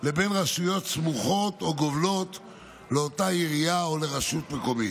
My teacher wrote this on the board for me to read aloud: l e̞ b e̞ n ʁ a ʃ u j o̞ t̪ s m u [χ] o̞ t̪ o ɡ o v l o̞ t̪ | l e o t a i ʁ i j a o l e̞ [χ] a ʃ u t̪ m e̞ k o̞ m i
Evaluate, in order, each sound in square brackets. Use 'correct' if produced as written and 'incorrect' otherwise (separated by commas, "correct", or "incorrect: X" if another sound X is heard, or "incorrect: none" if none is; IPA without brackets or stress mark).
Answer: correct, incorrect: ʁ